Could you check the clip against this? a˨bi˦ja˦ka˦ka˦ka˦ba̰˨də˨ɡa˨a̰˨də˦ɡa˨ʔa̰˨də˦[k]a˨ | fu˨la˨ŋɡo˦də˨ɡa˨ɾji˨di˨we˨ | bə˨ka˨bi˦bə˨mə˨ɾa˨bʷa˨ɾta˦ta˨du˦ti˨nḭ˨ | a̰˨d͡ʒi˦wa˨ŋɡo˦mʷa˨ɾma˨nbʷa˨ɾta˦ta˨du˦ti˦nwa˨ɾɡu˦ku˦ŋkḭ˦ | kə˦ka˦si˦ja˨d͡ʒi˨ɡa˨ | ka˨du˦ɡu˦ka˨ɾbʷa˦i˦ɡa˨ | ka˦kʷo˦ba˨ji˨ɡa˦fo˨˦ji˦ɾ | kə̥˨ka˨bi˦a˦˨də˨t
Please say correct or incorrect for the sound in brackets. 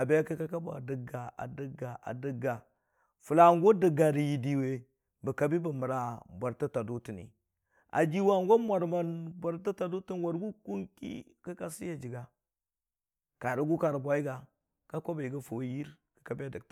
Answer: incorrect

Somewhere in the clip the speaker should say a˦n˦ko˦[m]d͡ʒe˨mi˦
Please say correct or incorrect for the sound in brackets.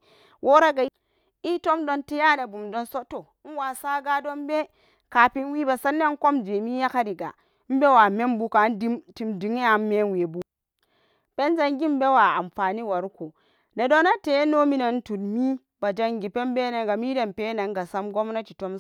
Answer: correct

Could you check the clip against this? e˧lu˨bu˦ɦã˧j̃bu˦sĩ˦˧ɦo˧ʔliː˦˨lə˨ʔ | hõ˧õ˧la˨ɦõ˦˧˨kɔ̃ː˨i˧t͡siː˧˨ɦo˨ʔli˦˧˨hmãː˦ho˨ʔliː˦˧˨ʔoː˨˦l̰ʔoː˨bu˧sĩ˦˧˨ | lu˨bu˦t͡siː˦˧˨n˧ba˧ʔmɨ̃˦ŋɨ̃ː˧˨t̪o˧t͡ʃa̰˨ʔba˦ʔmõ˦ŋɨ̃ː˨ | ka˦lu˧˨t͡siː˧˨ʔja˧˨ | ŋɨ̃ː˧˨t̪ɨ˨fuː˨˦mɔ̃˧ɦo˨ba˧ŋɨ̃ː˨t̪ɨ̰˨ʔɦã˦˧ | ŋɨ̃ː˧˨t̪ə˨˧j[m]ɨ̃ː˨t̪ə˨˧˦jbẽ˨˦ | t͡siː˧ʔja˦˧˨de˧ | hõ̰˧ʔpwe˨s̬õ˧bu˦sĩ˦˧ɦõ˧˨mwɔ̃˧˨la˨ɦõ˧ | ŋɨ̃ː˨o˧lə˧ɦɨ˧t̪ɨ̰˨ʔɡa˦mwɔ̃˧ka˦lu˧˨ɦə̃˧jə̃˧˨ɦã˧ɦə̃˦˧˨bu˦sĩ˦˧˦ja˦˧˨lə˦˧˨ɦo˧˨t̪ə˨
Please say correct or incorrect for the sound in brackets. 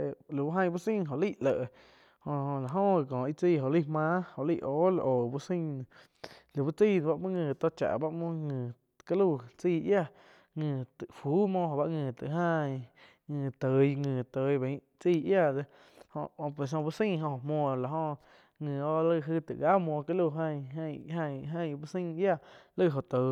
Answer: incorrect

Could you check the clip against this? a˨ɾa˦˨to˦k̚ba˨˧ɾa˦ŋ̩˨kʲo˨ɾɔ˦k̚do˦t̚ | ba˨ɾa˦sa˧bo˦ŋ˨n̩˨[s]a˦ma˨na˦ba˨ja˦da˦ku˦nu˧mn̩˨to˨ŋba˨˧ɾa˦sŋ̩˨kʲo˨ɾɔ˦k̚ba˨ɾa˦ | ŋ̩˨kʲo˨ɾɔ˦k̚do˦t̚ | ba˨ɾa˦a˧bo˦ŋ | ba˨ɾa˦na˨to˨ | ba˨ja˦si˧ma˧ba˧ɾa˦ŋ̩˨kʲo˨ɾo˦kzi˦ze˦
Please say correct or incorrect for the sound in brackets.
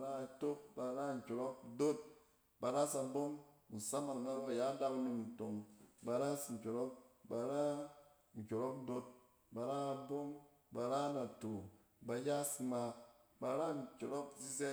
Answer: correct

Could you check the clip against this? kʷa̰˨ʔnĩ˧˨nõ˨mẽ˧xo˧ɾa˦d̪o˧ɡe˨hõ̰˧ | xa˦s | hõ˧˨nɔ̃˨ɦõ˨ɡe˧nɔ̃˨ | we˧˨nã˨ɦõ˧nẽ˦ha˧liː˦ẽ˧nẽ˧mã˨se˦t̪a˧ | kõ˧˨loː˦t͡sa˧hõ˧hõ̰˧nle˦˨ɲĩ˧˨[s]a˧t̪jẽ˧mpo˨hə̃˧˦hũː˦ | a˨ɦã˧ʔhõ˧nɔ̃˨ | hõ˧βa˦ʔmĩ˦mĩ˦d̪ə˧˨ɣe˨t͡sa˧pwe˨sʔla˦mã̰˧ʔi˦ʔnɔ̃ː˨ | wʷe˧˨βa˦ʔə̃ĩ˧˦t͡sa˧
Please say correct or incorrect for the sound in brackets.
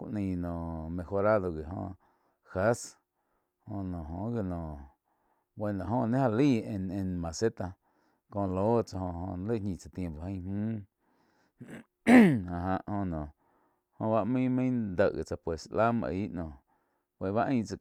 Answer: incorrect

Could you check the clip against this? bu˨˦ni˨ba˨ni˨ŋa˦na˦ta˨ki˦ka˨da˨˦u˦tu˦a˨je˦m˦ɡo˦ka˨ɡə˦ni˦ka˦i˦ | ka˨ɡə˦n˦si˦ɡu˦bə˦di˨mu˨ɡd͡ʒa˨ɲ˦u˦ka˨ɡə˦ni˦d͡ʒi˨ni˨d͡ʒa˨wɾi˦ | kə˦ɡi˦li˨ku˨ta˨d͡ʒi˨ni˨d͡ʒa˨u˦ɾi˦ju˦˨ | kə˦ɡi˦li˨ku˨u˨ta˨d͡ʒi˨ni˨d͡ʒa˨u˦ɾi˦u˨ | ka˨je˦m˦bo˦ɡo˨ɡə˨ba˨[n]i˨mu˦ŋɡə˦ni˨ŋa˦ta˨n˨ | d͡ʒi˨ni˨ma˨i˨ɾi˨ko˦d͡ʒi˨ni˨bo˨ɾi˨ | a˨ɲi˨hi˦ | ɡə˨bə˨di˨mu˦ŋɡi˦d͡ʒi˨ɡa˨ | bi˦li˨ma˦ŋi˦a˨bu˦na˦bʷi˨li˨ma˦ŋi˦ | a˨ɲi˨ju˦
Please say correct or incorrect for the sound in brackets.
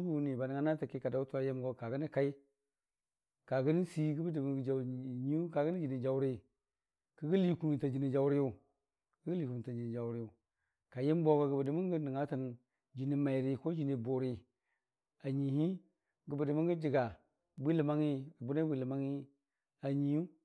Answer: incorrect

